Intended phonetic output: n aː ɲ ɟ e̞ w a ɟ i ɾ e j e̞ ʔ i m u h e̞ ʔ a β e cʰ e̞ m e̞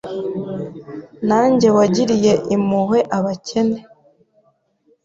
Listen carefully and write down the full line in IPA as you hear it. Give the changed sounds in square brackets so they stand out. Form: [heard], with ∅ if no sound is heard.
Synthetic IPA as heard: n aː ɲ ɟ e̞ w a ɟ i ɾ [i] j e̞ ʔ i m u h e̞ ʔ a β [a] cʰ e̞ [n] e̞